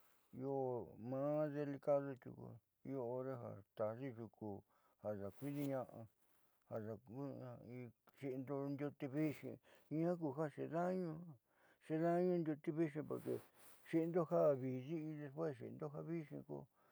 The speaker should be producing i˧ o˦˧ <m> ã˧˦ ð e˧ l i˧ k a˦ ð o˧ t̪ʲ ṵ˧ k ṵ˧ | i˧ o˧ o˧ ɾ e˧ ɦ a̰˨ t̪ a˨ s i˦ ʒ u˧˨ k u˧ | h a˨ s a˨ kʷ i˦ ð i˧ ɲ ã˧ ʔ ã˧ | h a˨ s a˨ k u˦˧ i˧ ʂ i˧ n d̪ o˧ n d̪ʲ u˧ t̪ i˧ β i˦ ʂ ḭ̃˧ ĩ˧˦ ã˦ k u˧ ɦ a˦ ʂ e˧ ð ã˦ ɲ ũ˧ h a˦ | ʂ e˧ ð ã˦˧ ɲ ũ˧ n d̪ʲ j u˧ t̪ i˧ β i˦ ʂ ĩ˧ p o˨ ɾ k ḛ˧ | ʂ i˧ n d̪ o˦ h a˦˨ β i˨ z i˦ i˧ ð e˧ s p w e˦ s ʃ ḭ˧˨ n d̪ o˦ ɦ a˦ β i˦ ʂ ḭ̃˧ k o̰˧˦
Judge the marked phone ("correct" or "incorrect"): correct